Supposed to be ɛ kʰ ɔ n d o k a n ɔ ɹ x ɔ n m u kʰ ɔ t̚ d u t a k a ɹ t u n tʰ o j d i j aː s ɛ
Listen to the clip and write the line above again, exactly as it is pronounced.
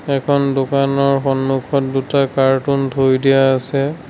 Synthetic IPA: ɛ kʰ ɔ n d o k a n ɔ ɹ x ɔ n m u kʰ ɔ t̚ d u t a k a ɹ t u n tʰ o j d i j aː s ɛ